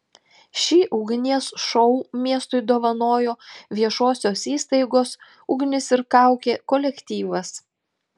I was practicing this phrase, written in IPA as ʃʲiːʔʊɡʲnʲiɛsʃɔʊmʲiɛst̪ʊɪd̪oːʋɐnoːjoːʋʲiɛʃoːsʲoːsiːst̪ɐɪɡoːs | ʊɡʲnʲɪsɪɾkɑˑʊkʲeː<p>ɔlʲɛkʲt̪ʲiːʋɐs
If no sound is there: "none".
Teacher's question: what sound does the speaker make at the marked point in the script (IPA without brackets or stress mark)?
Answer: k